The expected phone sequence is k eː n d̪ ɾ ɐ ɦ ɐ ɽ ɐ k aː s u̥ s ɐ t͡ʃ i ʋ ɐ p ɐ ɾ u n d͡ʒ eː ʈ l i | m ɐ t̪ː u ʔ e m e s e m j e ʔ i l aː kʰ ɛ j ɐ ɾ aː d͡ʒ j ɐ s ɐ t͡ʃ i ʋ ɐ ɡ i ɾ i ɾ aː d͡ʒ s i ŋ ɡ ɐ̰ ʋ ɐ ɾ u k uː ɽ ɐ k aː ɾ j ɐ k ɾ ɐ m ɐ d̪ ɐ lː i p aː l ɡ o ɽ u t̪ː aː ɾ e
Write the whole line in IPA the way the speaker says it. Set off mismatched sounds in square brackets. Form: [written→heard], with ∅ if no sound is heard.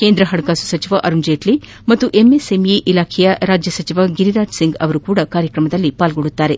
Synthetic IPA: k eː n d̪ ɾ ɐ ɦ ɐ ɽ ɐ k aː s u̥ s ɐ t͡ʃ i ʋ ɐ [p→ʔ] ɐ ɾ u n d͡ʒ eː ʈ l i | m ɐ t̪ː u ʔ e m e s e m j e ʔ i l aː kʰ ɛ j ɐ ɾ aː d͡ʒ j ɐ s ɐ t͡ʃ i ʋ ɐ ɡ i ɾ i ɾ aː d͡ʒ s i ŋ ɡ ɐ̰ ʋ ɐ ɾ u k uː ɽ ɐ k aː ɾ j ɐ k ɾ ɐ m ɐ d̪ ɐ lː i p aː l ɡ o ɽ u t̪ː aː ɾ e